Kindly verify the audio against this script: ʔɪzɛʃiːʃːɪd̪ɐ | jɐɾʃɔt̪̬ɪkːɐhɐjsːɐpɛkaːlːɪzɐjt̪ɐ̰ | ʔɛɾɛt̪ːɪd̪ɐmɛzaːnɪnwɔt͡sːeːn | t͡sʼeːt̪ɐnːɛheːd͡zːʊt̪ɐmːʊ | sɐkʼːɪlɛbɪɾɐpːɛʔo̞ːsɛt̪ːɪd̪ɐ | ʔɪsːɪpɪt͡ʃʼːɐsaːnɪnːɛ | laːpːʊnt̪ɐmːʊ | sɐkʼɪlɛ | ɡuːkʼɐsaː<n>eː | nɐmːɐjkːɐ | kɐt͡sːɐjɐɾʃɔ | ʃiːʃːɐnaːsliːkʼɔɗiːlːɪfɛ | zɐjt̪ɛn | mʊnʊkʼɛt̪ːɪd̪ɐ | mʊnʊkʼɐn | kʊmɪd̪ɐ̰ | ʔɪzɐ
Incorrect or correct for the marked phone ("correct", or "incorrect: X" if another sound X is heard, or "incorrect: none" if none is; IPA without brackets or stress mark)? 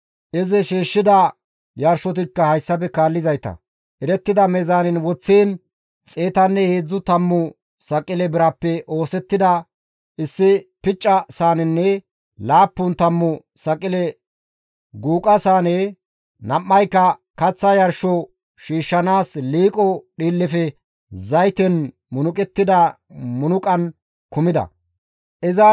correct